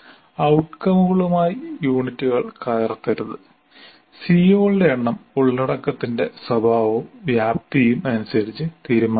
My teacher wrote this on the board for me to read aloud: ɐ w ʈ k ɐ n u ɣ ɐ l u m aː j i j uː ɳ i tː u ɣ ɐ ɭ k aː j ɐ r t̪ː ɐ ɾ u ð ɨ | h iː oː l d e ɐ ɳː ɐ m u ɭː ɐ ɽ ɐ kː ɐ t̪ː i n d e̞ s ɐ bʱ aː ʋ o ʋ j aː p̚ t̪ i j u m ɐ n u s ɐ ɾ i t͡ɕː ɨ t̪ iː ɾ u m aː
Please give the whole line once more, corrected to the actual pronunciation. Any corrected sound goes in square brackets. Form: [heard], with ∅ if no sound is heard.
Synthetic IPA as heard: ɐ w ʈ k ɐ [m] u ɣ ɐ [ɭ] u m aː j i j uː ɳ i tː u ɣ ɐ ɭ k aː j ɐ r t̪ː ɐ ɾ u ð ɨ | [s] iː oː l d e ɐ ɳː ɐ m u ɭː ɐ ɽ ɐ kː ɐ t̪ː i n d e̞ s ɐ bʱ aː ʋ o ʋ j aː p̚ t̪ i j u m ɐ n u s ɐ ɾ i t͡ɕː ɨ t̪ iː ɾ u m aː

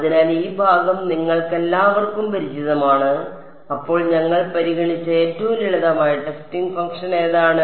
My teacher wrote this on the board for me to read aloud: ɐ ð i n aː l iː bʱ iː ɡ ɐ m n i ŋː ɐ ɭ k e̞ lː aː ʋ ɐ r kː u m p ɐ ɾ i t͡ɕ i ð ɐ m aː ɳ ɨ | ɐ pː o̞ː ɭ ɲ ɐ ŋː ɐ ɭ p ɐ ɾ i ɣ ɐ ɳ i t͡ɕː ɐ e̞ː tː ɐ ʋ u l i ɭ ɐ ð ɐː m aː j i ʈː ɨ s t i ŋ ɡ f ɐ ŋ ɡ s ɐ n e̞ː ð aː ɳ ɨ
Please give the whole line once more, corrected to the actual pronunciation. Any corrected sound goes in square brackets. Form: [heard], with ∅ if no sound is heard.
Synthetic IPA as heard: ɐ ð i n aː l iː bʱ [aː] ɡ ɐ m n i ŋː ɐ ɭ k e̞ lː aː ʋ ɐ r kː u m p ɐ ɾ i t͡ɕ i ð ɐ m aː ɳ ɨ | ɐ pː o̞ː ɭ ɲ ɐ ŋː ɐ ɭ p ɐ ɾ i ɣ ɐ ɳ i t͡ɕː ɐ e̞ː tː ɐ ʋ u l i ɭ ɐ ð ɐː m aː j i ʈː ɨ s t i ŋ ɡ f ɐ ŋ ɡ [ʂ] ɐ n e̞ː ð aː ɳ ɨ

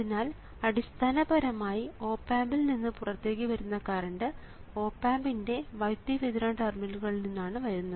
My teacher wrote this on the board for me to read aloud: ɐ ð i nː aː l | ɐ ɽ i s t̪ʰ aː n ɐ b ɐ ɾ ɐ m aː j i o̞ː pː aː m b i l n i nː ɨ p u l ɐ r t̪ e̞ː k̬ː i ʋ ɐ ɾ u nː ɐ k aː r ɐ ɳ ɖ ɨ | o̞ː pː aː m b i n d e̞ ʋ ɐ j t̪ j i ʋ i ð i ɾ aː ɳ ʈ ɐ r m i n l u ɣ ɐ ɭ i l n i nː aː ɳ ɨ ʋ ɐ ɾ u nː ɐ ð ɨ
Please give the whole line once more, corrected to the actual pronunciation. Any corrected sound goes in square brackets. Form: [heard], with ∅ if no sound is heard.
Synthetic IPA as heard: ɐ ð i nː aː l | ɐ ɽ i s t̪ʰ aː n ɐ b ɐ ɾ ɐ m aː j i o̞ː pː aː m b i l n i nː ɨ p u [r] ɐ r t̪ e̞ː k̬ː i ʋ ɐ ɾ u nː ɐ k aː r ɐ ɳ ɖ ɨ | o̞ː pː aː m b i n d e̞ ʋ ɐ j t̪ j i ʋ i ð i ɾ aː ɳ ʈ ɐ r m i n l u ɣ ɐ ɭ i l n i nː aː ɳ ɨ ʋ ɐ ɾ u nː ɐ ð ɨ

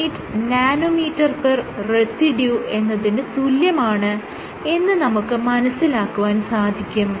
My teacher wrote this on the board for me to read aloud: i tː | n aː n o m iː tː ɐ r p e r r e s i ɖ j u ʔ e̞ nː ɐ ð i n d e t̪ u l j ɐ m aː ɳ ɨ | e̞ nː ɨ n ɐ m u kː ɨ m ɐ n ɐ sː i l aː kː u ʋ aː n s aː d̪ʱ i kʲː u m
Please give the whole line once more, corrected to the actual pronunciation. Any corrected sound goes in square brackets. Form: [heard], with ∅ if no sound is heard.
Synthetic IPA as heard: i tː | n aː n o m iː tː ɐ r p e r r e s i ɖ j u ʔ e̞ nː ɐ ð i n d e t̪ u l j ɐ m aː ɳ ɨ | e̞ nː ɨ n ɐ m u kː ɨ m ɐ n ɐ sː i l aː kː u ʋ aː n s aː d̪ʱ i kʲː u m

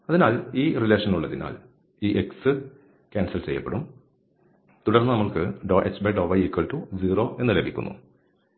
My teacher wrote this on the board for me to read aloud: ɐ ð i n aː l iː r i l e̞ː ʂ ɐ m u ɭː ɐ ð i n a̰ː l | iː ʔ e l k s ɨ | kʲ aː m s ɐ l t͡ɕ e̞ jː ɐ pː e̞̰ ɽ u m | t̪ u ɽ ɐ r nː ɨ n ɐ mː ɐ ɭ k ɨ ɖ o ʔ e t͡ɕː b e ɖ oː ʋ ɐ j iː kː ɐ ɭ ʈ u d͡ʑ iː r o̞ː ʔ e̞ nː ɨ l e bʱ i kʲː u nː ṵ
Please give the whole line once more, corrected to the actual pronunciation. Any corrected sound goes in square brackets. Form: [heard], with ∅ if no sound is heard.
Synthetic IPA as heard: ɐ ð i n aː l iː r i l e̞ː ʂ ɐ [n] u ɭː ɐ ð i n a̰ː l | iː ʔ e [∅] k s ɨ | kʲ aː [n] s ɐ l t͡ɕ e̞ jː ɐ pː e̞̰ ɽ u m | t̪ u ɽ ɐ r nː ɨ n ɐ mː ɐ ɭ k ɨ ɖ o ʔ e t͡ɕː b e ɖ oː ʋ ɐ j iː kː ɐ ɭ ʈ u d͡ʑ iː r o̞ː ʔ e̞ nː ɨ l e bʱ i kʲː u nː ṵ

